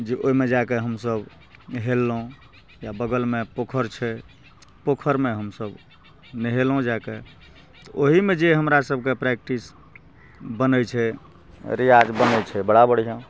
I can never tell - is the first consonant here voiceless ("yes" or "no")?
no